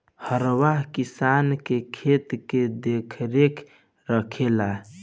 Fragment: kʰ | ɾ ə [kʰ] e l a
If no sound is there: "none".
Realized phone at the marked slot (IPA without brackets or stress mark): kʰ